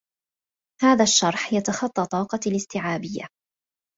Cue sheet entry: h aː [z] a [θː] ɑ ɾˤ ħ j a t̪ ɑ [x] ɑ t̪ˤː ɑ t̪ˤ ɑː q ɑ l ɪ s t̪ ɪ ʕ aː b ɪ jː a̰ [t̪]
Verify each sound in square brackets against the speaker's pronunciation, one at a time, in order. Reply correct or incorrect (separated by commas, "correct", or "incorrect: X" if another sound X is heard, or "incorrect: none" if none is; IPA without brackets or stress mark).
incorrect: ð, incorrect: ʃː, correct, incorrect: none